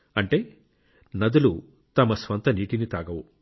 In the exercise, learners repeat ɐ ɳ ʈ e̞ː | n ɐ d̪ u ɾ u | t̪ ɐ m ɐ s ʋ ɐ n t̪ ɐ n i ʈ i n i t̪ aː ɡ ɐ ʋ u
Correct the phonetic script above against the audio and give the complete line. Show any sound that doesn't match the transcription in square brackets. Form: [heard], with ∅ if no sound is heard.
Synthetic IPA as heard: ɐ ɳ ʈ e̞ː | n ɐ d̪ u [l] u | t̪ ɐ m ɐ s ʋ ɐ n t̪ ɐ n [iː] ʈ i n i t̪ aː ɡ ɐ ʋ u